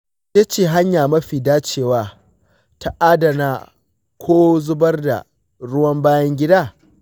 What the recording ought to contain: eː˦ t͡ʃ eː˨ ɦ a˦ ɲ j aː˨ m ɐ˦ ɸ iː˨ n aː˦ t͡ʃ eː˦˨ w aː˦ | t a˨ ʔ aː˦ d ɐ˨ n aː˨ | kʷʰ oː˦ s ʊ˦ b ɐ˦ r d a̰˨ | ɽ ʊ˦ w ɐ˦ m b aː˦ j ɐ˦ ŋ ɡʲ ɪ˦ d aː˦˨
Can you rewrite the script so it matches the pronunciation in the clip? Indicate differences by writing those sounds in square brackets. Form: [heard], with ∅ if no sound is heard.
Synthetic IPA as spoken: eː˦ t͡ʃ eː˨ ɦ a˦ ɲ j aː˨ m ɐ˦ ɸ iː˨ [d] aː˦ t͡ʃ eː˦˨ w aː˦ | t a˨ ʔ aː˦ d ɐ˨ n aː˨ | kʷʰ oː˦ [z] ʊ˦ b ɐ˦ r d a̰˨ | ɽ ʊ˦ w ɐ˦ m b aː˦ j ɐ˦ ŋ ɡʲ ɪ˦ d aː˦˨